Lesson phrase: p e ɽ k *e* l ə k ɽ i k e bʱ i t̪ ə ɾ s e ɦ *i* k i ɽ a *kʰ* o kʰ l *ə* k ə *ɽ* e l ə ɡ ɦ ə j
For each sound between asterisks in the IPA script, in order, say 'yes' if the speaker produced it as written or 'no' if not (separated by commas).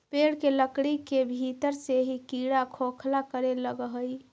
yes, yes, yes, no, no